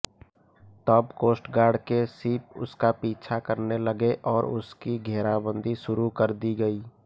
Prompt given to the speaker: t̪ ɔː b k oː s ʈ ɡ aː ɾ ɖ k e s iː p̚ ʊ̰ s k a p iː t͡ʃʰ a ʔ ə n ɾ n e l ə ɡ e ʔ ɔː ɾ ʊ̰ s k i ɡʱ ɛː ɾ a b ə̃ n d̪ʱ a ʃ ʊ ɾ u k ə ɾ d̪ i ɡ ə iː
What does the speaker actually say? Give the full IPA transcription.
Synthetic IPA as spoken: t̪ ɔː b k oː s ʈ ɡ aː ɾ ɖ k e s iː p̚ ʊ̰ s k a p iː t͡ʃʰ a k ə ɾ n e l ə ɡ e ʔ ɔː ɾ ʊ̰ s k i ɡʱ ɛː ɾ a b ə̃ n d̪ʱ i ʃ ʊ ɾ u k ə ɾ d̪ i ɡ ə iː

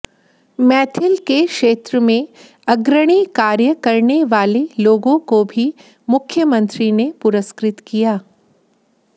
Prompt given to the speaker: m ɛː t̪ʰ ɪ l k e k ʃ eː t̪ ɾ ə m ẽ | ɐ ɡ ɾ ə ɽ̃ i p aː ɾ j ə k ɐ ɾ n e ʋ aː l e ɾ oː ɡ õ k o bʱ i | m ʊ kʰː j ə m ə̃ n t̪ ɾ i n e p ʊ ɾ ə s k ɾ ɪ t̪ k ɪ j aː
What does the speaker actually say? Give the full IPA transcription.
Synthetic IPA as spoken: m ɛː t̪ʰ ɪ l k e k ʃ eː t̪ ɾ ə m ẽ | ɐ ɡ ɾ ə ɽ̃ i k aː ɾ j ə k ɐ ɾ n e ʋ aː l e l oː ɡ õ k o bʱ i | m ʊ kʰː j ə m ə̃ n t̪ ɾ i n e p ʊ ɾ ə s k ɾ ɪ t̪ k i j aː

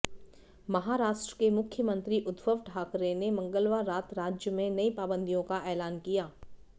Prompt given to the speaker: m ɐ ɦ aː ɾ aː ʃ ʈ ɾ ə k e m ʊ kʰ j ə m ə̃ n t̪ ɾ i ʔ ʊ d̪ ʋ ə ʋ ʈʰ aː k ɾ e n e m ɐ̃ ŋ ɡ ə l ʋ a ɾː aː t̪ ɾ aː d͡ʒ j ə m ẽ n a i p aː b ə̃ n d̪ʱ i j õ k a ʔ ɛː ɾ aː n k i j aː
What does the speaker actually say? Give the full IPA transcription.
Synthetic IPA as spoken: m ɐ ɦ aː ɾ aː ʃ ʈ ɾ ə k e m ʊ kʰ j ə m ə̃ n t̪ ɾ i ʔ ʊ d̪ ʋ ə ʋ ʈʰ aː k ɾ e n e m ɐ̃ ŋ ɡ ə l ʋ a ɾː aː t̪ ɾ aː d͡ʒ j ə m ẽ n ɐ i p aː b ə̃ n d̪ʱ i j õ k a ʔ ɛː l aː n k i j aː

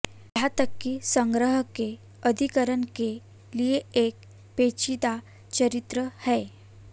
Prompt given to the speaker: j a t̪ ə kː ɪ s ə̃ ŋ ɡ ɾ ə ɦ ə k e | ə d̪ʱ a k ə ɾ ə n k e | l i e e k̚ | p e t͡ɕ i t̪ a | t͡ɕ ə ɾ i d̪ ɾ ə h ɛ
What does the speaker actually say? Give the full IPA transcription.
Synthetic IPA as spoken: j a t̪ ə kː i s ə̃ ŋ ɡ ɾ ə ɦ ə k e | ə d̪ʱ i k ə ɾ ə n k e | l i e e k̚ | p e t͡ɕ i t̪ a | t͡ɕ ə ɾ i t̪ ɾ ə h ɛ

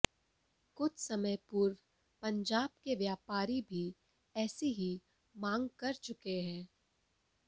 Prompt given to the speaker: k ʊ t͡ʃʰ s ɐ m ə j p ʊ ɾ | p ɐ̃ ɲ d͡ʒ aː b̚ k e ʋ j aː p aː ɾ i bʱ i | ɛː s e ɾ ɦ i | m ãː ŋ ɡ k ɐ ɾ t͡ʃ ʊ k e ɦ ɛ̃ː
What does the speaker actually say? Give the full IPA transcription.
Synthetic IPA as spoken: k ʊ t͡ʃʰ s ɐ m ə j p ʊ ɾ | p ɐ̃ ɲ d͡ʒ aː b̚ k e ʋ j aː p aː ɾ i bʱ i | ɛː s e ɦ i | m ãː ŋ ɡ k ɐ ɾ t͡ʃ ʊ k e ɦ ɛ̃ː

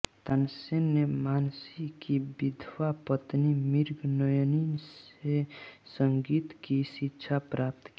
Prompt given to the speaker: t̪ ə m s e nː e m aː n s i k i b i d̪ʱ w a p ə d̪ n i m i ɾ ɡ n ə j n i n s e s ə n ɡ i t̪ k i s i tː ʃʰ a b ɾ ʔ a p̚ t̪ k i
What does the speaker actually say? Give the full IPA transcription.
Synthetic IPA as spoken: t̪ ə n s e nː e m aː n s i k i b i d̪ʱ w a p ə t̪ n i m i ɾ ɡ n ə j n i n s e s ə ŋ ɡ i t̪ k i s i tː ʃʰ a p ɾ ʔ a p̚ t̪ k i

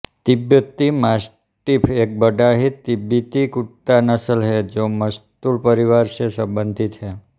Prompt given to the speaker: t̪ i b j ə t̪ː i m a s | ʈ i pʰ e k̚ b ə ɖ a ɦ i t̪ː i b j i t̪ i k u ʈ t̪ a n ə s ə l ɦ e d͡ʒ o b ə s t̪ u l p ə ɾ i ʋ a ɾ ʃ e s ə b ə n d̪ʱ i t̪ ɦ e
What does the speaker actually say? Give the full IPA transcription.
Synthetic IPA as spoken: t̪ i b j ə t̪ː i m a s | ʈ i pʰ e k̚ b ə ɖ a ɦ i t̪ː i b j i t̪ i k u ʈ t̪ a n ə s ə l ɦ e d͡ʒ o m ə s t̪ u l p ə ɾ i ʋ a ɾ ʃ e s ə b ə n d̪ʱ i t̪ ɦ e

